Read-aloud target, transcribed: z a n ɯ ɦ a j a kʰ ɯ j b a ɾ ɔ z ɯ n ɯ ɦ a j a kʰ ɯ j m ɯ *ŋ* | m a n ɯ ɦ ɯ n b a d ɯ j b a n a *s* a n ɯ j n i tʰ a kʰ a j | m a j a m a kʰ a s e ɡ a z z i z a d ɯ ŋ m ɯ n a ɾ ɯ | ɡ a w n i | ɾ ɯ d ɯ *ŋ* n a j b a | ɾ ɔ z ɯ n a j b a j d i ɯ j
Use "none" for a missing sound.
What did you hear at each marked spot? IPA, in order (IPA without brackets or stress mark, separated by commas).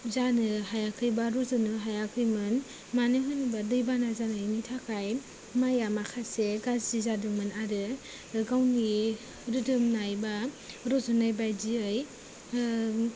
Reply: n, z, m